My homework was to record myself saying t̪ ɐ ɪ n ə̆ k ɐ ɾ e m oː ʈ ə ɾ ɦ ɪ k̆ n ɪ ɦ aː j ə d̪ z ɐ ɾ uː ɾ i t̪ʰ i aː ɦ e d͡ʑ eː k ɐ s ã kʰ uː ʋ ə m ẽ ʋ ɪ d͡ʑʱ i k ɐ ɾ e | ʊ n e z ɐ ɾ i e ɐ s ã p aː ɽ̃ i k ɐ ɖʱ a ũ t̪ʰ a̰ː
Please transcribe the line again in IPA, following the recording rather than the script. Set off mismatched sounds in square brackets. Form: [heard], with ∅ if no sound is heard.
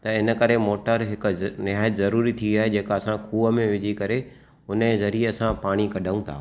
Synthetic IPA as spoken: t̪ ɐ ɪ n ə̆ k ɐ ɾ e m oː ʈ ə ɾ ɦ ɪ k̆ n ɪ ɦ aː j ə [t̪] z ɐ ɾ uː ɾ i t̪ʰ i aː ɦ e d͡ʑ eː k ɐ s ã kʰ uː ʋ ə m ẽ ʋ ɪ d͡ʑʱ i k ɐ ɾ e | ʊ n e z ɐ ɾ i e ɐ s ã p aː ɽ̃ i k ɐ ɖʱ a ũ t̪ʰ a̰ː